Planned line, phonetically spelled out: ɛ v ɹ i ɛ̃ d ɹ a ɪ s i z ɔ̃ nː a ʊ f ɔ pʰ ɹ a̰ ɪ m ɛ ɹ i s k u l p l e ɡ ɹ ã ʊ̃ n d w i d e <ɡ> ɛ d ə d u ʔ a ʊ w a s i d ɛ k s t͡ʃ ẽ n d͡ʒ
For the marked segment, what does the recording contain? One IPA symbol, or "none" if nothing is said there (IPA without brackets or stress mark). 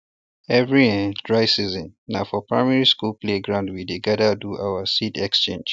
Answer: ɡ